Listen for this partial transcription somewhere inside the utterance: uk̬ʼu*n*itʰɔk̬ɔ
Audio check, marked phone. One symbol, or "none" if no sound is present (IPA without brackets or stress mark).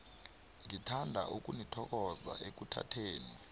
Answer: n